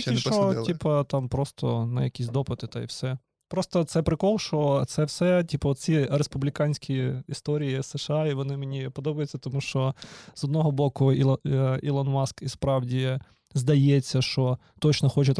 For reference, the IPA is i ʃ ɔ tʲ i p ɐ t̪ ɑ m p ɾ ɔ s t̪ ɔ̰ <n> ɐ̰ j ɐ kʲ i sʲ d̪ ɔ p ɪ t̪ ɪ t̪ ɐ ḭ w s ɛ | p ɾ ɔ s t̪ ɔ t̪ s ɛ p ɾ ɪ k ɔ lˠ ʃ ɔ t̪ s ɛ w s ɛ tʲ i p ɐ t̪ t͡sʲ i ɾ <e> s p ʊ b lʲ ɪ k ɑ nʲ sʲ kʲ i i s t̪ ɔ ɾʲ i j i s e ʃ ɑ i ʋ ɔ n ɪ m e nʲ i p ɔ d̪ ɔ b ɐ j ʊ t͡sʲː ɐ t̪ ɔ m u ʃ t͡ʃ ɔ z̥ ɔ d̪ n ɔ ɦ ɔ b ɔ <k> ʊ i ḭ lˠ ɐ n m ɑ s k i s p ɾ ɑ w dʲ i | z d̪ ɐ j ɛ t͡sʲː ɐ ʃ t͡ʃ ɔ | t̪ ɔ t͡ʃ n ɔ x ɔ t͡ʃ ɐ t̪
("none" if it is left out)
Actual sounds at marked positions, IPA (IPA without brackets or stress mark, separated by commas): n, e, k